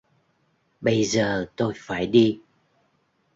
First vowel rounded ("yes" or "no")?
no